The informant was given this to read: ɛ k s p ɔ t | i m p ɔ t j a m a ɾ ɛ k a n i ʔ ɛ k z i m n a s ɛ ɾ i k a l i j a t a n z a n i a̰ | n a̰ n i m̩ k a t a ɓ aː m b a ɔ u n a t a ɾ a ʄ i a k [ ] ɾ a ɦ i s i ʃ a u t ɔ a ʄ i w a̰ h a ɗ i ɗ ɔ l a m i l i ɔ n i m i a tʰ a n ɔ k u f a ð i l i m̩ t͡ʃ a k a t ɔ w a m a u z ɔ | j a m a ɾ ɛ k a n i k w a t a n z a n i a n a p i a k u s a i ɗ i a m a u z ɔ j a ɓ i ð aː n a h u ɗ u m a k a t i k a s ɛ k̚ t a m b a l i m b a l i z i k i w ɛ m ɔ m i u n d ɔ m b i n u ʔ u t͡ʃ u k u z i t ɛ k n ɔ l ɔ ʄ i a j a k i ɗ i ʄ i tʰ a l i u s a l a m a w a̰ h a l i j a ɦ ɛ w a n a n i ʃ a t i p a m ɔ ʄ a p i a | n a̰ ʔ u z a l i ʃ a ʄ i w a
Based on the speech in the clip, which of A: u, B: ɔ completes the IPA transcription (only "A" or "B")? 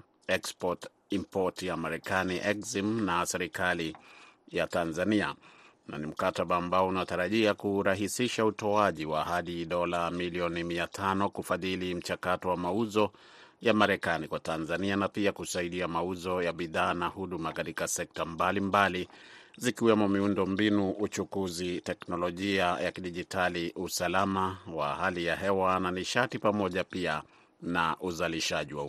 A